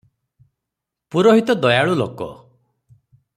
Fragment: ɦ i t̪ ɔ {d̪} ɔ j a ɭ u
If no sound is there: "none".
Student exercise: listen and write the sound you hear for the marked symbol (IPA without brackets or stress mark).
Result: d̪